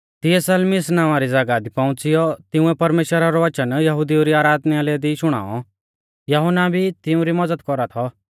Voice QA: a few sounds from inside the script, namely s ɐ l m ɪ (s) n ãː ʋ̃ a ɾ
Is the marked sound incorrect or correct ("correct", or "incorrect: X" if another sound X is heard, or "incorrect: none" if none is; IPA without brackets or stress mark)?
correct